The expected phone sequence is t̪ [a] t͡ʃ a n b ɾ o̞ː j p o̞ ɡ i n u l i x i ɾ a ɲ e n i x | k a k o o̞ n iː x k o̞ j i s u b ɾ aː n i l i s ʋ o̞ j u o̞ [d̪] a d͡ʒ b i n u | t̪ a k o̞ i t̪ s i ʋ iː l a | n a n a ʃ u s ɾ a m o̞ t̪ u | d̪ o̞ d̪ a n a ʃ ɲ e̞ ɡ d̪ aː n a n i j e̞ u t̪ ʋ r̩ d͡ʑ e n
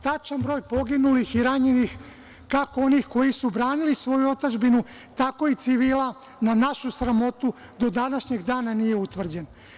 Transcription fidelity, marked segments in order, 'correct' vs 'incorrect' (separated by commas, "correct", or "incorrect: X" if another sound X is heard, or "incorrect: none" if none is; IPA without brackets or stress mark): correct, incorrect: t̪